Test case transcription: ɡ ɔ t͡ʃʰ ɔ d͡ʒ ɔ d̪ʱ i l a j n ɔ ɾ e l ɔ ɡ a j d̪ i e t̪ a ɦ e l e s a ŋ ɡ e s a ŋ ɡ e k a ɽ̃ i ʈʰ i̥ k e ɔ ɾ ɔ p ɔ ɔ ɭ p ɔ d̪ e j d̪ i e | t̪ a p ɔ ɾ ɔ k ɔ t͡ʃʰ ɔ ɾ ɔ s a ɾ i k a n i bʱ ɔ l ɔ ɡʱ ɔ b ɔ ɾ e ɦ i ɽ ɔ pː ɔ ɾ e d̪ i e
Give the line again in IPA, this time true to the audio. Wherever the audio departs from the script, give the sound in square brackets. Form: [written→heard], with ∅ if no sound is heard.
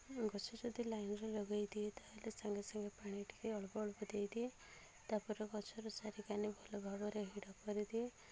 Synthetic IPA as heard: ɡ ɔ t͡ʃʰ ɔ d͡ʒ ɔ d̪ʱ i l a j n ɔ ɾ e l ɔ ɡ a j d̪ i e t̪ a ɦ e l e s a ŋ ɡ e s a ŋ ɡ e [k→p] a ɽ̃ i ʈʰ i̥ k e ɔ [ɾ→ɭ] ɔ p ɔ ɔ ɭ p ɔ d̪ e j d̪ i e | t̪ a p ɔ ɾ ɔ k ɔ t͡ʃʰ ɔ ɾ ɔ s a ɾ i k a n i bʱ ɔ l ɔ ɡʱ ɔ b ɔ ɾ e ɦ i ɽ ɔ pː ɔ ɾ [e→i] d̪ i e